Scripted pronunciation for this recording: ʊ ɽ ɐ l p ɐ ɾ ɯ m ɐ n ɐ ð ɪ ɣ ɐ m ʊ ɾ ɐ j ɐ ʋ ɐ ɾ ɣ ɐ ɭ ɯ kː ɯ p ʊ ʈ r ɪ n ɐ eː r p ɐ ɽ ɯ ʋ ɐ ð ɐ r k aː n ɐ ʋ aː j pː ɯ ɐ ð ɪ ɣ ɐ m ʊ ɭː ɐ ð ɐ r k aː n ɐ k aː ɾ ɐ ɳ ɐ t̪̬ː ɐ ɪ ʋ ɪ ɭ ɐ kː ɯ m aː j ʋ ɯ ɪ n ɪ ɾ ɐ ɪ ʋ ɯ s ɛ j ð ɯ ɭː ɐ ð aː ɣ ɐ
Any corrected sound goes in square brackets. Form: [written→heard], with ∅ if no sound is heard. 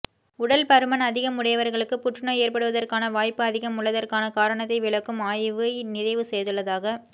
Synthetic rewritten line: ʊ ɽ ɐ l p ɐ ɾ ɯ m ɐ n ɐ ð ɪ ɣ ɐ m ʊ [ɾ→ɽ] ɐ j ɐ ʋ ɐ ɾ ɣ ɐ ɭ ɯ kː ɯ p ʊ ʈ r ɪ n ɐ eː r p ɐ ɽ ɯ ʋ ɐ ð ɐ r k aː n ɐ ʋ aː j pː ɯ ɐ ð ɪ ɣ ɐ m ʊ ɭː ɐ ð ɐ r k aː n ɐ k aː ɾ ɐ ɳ ɐ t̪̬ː ɐ ɪ ʋ ɪ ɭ ɐ kː ɯ m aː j ʋ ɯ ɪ n ɪ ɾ ɐ ɪ ʋ ɯ s ɛ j ð ɯ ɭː ɐ ð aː ɣ ɐ